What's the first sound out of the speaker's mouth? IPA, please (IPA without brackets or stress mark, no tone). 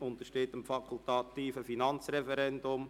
ʊ